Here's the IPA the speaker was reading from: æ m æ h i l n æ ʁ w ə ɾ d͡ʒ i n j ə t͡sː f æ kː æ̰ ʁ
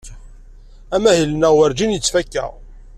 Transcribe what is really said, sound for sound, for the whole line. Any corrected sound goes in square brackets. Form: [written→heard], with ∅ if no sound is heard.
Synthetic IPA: æ m æ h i l n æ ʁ w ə ɾ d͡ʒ i n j ə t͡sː f æ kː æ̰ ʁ